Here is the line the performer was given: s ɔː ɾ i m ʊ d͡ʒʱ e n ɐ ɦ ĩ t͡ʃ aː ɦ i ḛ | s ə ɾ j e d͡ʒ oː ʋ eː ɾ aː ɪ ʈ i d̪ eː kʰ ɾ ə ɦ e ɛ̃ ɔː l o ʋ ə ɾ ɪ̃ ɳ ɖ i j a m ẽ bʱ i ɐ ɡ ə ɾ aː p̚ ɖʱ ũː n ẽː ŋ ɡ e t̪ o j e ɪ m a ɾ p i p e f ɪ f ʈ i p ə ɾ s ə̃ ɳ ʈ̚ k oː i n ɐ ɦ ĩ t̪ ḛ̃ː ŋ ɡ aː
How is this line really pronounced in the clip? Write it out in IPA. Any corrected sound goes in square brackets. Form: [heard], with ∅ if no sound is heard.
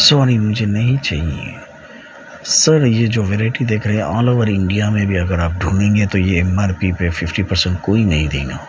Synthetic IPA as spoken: s ɔː ɾ i m ʊ d͡ʒʱ e n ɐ ɦ ĩ t͡ʃ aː ɦ i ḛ | s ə ɾ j e d͡ʒ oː ʋ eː ɾ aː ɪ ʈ i d̪ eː kʰ ɾ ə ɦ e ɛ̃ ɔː l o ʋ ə ɾ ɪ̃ ɳ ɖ i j a m ẽ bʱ i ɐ ɡ ə ɾ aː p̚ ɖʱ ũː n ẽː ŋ ɡ e t̪ o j e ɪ m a ɾ p i p e f ɪ f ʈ i p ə ɾ s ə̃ ɳ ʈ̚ k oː i n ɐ ɦ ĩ [d̪] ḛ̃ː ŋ ɡ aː